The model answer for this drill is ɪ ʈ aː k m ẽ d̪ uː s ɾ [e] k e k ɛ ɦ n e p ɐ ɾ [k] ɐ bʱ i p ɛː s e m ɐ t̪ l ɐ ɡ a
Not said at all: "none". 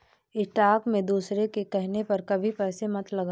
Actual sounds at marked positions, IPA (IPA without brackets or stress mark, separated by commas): e, k